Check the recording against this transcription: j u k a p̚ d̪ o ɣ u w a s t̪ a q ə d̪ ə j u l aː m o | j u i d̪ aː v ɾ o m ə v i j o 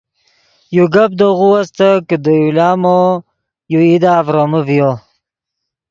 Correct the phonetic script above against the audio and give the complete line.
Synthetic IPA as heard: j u ɡ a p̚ d̪ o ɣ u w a s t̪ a k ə d̪ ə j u l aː m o | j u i d̪ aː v ɾ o m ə v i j o